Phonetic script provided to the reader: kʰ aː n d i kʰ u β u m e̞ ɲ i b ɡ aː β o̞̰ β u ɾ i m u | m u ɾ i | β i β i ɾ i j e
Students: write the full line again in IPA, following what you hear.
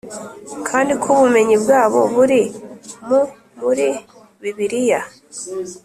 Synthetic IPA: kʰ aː n d i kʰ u β u m e̞ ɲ i b ɡ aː β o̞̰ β u ɾ i m u | m u ɾ i | β i β i ɾ i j a

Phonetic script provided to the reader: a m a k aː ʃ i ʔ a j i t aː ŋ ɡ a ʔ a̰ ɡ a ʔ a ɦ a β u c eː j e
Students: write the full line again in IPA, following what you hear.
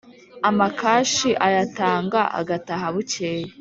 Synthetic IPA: a m a k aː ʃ i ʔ a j a t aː ŋ ɡ a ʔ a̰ ɡ a t a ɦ a β u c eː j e

